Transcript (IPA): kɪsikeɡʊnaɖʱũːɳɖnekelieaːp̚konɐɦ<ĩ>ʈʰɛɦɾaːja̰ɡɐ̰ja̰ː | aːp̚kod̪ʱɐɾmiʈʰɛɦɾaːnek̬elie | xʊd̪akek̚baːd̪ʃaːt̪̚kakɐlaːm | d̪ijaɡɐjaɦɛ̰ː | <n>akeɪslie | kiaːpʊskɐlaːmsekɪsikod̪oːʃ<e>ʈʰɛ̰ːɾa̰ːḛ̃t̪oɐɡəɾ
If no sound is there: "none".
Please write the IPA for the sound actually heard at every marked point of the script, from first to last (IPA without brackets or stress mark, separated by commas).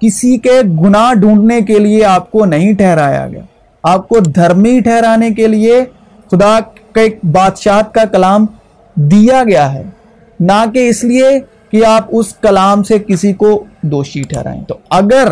ĩ, n, i